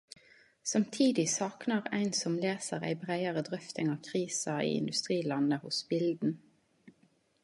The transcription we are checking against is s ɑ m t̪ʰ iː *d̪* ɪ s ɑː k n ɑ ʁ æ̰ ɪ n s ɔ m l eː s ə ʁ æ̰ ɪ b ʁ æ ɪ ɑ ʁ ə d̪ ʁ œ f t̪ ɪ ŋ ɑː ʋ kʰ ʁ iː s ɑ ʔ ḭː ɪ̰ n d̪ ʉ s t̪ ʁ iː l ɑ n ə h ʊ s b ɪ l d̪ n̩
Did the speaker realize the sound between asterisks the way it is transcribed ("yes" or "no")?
yes